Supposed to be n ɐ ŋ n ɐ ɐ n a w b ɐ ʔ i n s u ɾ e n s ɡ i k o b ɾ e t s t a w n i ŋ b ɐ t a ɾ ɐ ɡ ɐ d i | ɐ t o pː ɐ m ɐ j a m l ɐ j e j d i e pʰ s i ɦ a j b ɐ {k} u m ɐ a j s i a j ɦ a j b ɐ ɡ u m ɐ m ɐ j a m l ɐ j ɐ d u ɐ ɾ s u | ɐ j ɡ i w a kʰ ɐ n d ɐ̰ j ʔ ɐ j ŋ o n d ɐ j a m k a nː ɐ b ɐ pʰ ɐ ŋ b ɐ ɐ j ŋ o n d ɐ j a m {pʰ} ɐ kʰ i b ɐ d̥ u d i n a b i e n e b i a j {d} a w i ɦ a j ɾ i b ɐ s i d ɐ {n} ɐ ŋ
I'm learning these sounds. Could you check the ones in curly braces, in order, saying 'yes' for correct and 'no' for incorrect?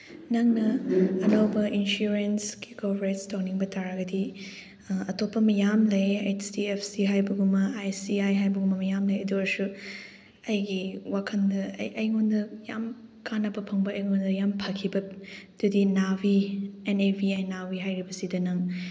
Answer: no, yes, no, yes

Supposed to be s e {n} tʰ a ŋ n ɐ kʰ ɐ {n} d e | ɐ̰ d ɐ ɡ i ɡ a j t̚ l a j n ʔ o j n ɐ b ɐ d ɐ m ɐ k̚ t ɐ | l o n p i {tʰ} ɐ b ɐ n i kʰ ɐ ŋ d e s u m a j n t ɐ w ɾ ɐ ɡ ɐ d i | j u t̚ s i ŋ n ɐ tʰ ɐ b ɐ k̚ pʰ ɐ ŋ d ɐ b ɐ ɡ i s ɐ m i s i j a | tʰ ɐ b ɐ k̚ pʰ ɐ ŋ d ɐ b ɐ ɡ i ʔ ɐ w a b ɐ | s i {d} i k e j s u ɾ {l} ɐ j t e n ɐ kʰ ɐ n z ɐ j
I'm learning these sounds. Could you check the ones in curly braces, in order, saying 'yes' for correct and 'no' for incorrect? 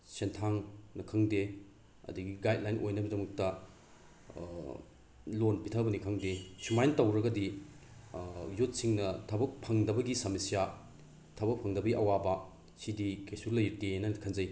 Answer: yes, no, yes, yes, yes

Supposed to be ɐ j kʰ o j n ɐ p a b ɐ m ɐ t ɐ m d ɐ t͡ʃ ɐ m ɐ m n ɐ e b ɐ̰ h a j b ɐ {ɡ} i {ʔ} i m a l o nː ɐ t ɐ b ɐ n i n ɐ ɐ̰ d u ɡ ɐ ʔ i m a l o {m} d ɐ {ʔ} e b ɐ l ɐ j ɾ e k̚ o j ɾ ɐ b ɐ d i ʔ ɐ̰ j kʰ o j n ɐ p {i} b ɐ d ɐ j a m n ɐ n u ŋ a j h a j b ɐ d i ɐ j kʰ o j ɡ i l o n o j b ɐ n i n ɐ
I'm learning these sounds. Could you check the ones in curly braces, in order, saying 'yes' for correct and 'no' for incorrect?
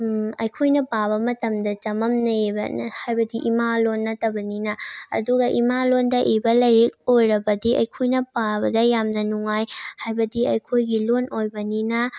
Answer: no, yes, no, yes, no

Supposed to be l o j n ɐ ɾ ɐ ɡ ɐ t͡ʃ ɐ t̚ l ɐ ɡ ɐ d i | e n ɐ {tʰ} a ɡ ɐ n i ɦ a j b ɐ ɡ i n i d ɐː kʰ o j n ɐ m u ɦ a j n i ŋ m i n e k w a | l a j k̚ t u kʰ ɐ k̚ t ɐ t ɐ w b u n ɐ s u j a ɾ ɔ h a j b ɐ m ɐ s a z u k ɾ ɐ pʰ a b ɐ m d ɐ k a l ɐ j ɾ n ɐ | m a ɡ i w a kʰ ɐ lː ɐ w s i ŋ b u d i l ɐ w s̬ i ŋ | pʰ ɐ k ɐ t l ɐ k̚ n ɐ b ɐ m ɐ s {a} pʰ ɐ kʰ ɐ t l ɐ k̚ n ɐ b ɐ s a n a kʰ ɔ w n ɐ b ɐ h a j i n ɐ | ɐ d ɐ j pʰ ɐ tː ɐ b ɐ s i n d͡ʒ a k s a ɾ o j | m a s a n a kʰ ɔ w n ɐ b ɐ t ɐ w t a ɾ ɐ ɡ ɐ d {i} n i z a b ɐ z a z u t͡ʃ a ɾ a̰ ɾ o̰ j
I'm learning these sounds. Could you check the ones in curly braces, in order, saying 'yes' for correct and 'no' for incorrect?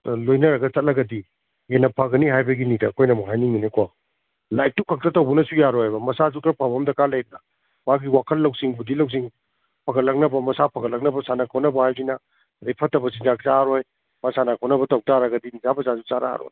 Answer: no, yes, yes

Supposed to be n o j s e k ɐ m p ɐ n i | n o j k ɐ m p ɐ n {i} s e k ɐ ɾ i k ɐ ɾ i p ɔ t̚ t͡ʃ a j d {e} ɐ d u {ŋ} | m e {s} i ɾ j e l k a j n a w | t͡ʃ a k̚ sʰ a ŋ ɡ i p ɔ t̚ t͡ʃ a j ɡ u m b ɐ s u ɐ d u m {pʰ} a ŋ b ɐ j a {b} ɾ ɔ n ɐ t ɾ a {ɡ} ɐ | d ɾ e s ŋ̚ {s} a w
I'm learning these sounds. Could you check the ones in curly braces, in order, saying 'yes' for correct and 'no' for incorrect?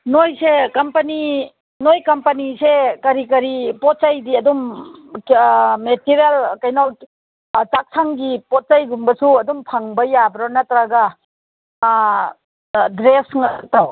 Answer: yes, no, no, no, yes, yes, yes, no

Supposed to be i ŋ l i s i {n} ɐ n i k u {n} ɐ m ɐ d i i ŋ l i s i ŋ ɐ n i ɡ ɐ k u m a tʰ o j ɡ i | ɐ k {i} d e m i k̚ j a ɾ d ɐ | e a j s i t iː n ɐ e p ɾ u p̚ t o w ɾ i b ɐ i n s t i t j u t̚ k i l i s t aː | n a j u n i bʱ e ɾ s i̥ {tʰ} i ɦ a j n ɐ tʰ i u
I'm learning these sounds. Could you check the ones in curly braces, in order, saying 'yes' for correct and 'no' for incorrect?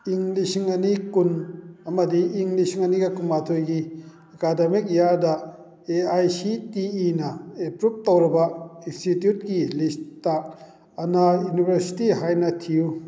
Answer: no, yes, no, no

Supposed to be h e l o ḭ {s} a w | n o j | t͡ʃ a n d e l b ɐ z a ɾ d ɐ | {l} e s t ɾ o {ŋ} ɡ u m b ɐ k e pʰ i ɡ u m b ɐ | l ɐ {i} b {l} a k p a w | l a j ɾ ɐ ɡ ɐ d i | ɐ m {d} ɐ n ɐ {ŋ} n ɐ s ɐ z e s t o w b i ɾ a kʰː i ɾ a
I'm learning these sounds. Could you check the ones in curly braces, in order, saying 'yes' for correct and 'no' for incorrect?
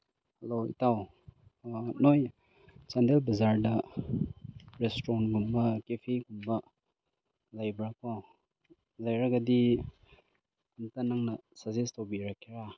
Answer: no, no, no, no, no, no, yes

